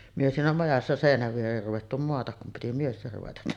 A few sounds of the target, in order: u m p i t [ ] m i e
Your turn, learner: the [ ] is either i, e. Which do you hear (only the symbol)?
i